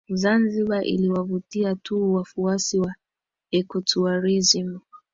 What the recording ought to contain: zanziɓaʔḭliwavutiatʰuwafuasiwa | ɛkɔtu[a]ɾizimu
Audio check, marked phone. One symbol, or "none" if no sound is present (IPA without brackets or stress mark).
a